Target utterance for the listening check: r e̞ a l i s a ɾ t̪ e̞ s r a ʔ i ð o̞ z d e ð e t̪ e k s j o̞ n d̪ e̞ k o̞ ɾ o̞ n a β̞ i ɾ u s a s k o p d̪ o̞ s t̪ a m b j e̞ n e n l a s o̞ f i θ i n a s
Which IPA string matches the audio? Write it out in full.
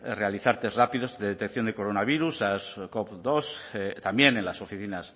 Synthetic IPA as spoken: r e̞ a l i θ a ɾ t̪ e̞ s r a p i ð o̞ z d e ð e t̪ e k θ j o̞ n d̪ e̞ k o̞ ɾ o̞ n a β̞ i ɾ u s a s k o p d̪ o̞ s t̪ a m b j e̞ n e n l a s o̞ f i θ i n a s